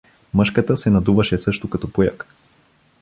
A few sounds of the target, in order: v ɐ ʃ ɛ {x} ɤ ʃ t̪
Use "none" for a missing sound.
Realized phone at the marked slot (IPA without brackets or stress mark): s